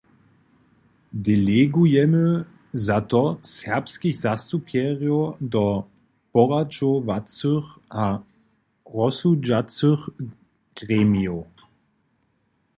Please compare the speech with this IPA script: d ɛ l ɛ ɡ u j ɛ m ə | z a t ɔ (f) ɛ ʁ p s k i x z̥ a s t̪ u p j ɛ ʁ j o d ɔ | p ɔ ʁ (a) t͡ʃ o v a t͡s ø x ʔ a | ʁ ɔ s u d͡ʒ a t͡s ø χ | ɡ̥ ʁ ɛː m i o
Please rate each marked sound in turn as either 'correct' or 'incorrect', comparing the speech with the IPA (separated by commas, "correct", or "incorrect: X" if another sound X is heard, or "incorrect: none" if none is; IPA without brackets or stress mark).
incorrect: s, correct